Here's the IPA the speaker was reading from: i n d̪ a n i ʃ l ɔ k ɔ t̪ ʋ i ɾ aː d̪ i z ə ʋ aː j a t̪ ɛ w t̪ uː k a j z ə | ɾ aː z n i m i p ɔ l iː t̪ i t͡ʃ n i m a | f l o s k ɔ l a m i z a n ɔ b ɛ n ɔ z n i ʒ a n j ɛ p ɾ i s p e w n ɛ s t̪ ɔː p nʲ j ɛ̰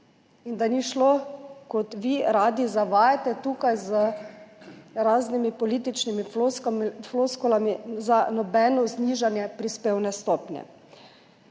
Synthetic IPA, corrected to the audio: i n d̪ a n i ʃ l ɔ k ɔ t̪ ʋ i ɾ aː d̪ i z a ʋ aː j a t̪ ɛ t̪ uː k a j z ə | ɾ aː z n i m i p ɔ l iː t̪ i t͡ʃ n i m i | f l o s k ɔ l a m i z a n ɔ b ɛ n ɔ z n i ʒ a n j ɛ p ɾ i s p e w n ɛ s t̪ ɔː p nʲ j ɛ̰

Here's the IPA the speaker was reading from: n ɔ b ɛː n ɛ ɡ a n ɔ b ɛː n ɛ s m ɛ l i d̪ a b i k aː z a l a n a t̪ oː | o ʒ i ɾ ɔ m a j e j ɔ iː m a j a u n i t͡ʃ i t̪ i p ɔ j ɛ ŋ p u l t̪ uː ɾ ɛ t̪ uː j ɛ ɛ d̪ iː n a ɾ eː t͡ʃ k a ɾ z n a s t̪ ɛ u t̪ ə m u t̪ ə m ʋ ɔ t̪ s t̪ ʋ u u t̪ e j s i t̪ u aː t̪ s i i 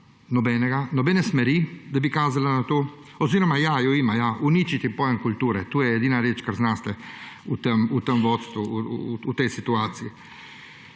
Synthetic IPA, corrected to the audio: n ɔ b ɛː n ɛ ɡ a n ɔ b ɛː n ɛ s m ɛ ɾ i d̪ a b i k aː z a l a n a t̪ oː | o z i ɾ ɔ m a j a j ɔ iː m a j a u n i t͡ʃ i t̪ i p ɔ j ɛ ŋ k u l t̪ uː ɾ ɛ t̪ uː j ɛ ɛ d̪ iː n a ɾ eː t͡ʃ k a ɾ z n a s t̪ ɛ u t̪ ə m u t̪ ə m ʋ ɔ t̪ s t̪ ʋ u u t̪ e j s i t̪ u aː t̪ s i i

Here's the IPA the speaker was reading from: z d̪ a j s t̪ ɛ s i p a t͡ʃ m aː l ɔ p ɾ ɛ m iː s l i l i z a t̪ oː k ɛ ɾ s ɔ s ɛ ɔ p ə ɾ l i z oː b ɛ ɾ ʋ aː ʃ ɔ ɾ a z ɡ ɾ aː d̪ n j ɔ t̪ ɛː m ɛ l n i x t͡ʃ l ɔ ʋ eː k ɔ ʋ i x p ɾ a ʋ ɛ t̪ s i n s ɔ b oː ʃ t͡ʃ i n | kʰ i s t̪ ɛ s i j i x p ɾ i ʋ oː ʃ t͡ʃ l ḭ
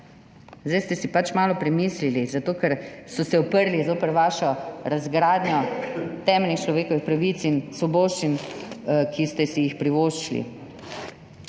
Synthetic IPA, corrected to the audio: z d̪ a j s t̪ ɛ s i p a t͡ʃ m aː l ɔ p ɾ ɛ m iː s l i l i z a t̪ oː k ɛ ɾ s ɔ s ɛ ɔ p ə ɾ l i z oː p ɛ ɾ ʋ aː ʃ ɔ ɾ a z ɡ ɾ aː d̪ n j ɔ t̪ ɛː m ɛ l n i x t͡ʃ l ɔ ʋ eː k ɔ ʋ i x p ɾ a ʋ i t̪ s i n s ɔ b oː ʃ t͡ʃ i n | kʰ i s t̪ ɛ s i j i x p ɾ i ʋ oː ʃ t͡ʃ l ḭ

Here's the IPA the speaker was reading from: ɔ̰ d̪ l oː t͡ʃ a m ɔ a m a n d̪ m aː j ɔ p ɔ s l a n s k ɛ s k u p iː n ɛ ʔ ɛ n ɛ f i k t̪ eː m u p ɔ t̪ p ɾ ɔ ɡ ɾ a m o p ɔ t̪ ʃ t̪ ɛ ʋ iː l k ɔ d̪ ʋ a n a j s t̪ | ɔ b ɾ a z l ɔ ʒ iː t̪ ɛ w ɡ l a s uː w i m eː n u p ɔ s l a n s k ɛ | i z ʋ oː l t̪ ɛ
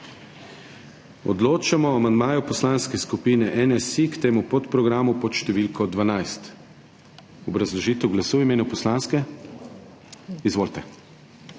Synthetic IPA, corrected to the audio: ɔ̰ d̪ l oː t͡ʃ a m ɔ a m a n d̪ m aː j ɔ p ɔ s l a n s k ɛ s k u p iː n ɛ ʔ ɛ n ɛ s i k t̪ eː m u p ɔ t̪ p ɾ ɔ ɡ ɾ a m u p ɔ t̪ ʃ t̪ ɛ ʋ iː l k ɔ d̪ ʋ a n a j s t̪ | ɔ b ɾ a z l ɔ ʒ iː t̪ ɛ w ɡ l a s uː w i m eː n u p ɔ s l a n s k ɛ | i z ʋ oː l t̪ ɛ

